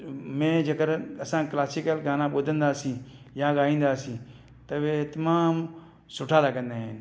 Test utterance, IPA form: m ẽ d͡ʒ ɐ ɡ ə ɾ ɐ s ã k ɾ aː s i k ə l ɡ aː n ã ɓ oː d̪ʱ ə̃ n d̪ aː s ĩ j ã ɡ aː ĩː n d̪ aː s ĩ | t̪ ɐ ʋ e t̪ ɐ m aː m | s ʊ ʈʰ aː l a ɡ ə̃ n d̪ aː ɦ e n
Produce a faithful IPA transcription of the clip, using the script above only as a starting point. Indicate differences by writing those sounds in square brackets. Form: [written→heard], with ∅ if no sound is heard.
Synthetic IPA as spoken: m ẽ d͡ʒ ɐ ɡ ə ɾ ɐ s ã k [ɾ→l] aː s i k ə l ɡ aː n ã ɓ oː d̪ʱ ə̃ n d̪ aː s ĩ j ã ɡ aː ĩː n d̪ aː s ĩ | t̪ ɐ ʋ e t̪ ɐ m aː m | s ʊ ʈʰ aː l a ɡ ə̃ n d̪ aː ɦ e n